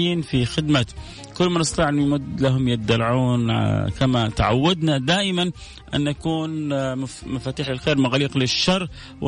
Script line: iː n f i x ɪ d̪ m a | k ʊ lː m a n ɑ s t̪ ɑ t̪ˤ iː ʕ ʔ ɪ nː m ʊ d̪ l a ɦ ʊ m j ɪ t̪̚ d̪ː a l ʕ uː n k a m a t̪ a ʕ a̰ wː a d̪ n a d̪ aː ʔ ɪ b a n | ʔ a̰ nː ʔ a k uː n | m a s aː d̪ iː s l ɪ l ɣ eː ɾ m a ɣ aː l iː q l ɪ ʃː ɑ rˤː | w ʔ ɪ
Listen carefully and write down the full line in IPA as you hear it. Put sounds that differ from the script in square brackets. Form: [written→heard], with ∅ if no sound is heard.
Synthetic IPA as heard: iː n f i x ɪ d̪ m a | k ʊ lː m a n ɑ s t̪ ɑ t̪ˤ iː ʕ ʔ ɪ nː m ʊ d̪ l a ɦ ʊ m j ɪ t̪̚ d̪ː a l ʕ uː n k a m a t̪ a ʕ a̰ wː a d̪ n a d̪ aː ʔ ɪ [b→m] a n | ʔ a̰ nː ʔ a k uː n | m a [s→f] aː [d̪→t̪] iː [s→ħ] l ɪ l [ɣ→x] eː ɾ m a ɣ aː l iː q l ɪ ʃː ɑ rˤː | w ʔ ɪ